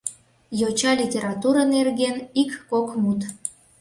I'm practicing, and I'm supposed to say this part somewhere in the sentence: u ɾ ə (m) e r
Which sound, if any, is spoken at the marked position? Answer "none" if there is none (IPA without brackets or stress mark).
n